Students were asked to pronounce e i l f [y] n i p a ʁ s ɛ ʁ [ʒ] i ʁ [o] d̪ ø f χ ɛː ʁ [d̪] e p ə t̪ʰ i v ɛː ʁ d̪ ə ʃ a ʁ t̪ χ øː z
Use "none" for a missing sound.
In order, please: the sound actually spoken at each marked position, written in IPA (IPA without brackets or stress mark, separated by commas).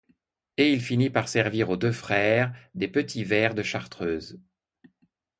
i, v, o, d̪